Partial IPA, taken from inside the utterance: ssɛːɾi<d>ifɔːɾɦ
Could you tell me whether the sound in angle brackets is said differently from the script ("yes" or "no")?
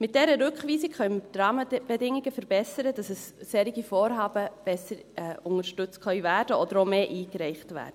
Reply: yes